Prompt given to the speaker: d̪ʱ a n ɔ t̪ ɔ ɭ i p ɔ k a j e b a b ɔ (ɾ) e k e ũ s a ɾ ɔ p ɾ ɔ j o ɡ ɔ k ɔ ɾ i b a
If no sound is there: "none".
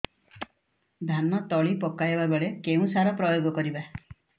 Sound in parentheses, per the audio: ɭ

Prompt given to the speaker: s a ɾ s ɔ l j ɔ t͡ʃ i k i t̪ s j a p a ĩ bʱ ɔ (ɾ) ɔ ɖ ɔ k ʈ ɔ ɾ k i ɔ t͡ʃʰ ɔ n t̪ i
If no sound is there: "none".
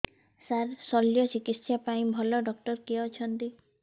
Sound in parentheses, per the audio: l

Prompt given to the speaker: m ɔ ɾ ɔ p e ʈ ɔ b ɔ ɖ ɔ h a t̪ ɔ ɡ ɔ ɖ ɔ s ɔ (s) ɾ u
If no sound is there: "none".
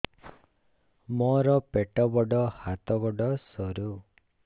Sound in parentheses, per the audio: none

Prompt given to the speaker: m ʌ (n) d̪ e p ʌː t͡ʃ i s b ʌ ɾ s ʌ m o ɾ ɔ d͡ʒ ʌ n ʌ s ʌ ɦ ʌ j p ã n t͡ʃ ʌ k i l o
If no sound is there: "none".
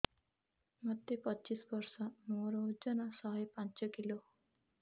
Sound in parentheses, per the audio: none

